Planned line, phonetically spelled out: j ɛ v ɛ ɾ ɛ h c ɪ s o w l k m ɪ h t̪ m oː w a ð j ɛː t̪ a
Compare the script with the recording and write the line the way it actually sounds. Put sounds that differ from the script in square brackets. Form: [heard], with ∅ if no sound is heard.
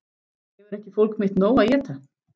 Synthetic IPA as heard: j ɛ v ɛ ɾ ɛ h c ɪ [f] o w l k m ɪ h t̪ [n] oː w a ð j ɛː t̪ a